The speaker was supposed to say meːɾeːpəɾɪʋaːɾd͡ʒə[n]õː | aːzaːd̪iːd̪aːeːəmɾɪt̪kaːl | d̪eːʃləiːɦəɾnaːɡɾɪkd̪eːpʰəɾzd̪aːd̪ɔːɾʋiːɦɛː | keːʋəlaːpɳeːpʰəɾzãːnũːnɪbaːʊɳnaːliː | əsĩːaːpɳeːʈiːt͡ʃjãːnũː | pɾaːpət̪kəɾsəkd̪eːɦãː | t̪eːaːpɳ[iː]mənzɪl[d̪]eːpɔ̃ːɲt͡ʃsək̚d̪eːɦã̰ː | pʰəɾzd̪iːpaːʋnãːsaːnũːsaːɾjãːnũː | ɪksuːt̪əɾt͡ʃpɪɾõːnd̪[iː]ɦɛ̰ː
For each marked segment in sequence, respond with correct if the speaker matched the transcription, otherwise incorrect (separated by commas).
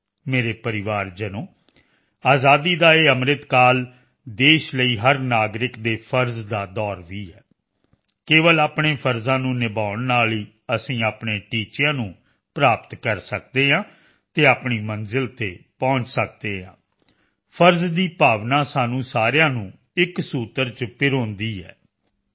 correct, correct, incorrect, correct